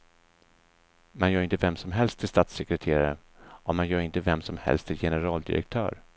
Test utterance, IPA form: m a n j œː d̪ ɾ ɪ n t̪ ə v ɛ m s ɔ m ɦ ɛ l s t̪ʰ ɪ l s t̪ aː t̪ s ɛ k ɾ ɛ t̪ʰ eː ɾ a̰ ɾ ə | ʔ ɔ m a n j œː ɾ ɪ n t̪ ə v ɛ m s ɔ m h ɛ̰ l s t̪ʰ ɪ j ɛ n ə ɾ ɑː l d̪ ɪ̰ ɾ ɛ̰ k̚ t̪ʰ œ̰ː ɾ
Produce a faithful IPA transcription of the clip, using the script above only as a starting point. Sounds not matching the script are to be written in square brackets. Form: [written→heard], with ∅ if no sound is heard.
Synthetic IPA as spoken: m a n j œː [d̪→∅] ɾ ɪ n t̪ ə v ɛ m s ɔ m ɦ ɛ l s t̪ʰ ɪ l s t̪ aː t̪ s ɛ k ɾ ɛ t̪ʰ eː ɾ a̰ ɾ ə | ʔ ɔ m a n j œː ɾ ɪ n t̪ ə v ɛ m s ɔ m h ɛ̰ l s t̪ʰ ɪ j ɛ n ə ɾ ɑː l d̪ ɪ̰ ɾ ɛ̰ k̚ t̪ʰ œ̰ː ɾ